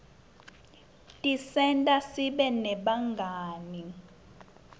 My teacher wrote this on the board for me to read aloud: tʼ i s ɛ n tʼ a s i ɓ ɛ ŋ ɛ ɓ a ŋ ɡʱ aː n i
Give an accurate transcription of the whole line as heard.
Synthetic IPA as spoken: tʼ i s ɛ n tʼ a s i ɓ ɛ n ɛ ɓ a ŋ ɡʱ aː n i